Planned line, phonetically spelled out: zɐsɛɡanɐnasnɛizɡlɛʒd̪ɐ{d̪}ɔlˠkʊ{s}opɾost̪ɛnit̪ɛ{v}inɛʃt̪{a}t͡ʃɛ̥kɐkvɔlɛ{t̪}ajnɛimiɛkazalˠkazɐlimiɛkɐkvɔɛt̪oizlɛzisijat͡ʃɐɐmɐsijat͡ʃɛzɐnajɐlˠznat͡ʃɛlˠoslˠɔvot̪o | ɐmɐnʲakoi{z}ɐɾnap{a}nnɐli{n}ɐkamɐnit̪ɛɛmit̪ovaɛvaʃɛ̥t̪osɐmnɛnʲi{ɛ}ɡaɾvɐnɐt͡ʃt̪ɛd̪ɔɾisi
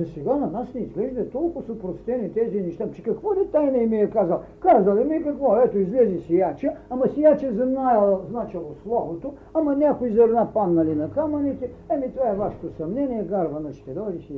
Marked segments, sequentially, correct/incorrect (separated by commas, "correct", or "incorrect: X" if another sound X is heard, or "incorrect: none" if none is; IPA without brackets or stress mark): incorrect: t̪, correct, incorrect: z, correct, correct, correct, correct, correct, correct